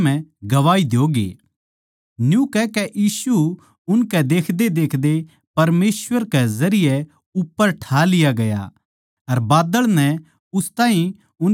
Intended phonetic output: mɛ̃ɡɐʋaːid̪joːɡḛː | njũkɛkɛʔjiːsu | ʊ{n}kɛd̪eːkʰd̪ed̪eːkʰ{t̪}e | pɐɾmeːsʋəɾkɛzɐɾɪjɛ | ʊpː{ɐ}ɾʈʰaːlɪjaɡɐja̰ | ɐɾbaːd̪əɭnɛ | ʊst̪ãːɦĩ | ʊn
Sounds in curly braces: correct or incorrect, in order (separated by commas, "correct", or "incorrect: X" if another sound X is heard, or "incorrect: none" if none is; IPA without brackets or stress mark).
correct, incorrect: d̪, incorrect: ə